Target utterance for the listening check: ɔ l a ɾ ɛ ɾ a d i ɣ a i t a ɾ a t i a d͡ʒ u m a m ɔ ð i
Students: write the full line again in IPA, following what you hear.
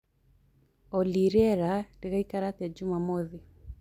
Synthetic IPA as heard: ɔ l i ɾ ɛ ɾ a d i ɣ a i k a ɾ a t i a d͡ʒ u m a m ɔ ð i